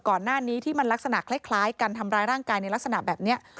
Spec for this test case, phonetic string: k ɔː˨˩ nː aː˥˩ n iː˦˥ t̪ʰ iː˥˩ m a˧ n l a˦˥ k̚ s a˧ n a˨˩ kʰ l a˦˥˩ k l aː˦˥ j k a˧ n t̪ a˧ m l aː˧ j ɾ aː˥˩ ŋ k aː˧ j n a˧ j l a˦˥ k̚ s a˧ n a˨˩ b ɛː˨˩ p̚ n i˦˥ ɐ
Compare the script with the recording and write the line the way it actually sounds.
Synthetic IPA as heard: k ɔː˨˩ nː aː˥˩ n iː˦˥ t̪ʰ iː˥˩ m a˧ n l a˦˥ k̚ s a˧ n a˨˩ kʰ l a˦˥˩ kʰ l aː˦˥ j k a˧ n t̪ʰ a˧ m ɾ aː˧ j ɾ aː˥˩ ŋ k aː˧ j n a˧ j l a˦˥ k̚ s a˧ n a˨˩ b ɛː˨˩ p̚ n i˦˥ ɐ